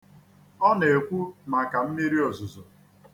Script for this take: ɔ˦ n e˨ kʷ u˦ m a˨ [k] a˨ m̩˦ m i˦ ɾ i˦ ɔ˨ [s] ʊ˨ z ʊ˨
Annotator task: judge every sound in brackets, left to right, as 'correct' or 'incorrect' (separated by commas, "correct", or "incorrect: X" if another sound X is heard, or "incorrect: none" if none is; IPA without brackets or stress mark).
correct, incorrect: z